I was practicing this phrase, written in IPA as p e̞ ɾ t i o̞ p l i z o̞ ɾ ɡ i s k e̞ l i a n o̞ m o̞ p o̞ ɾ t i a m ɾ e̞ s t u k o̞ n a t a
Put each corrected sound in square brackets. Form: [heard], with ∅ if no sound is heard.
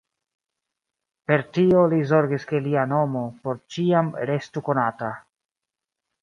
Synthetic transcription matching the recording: p e̞ ɾ t i o̞ [∅] l i z o̞ ɾ ɡ i s k e̞ l i a n o̞ m o̞ p o̞ ɾ [t͡ʃ] i a m ɾ e̞ s t u k o̞ n a t a